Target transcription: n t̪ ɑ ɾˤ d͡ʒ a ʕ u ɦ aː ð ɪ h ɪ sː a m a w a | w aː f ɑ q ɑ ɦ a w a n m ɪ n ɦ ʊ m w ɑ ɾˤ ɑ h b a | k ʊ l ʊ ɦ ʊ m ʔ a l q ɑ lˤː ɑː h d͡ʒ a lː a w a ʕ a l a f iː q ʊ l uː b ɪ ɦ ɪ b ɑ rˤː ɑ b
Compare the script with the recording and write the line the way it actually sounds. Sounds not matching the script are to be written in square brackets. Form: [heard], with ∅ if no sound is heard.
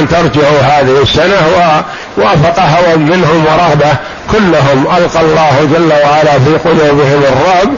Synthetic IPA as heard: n t̪ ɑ ɾˤ d͡ʒ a ʕ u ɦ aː ð ɪ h ɪ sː a [n] a w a | w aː f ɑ q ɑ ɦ a w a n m ɪ n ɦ ʊ m w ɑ ɾˤ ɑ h b a | k ʊ [lː] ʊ ɦ ʊ m ʔ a l q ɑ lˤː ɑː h d͡ʒ a lː a w a ʕ a l a f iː q ʊ l uː b ɪ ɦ ɪ [m] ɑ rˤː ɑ b